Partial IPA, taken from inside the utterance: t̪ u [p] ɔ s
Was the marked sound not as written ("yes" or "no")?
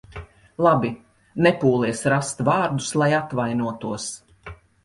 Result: yes